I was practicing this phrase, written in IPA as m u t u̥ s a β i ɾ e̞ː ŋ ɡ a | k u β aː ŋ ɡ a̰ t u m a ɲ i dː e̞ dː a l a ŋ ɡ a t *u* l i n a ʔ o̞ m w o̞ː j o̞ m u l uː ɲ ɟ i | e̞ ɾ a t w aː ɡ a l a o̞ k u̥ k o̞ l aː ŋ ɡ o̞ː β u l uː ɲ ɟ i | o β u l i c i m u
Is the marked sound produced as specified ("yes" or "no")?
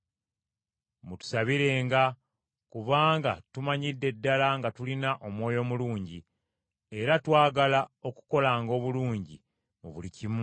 yes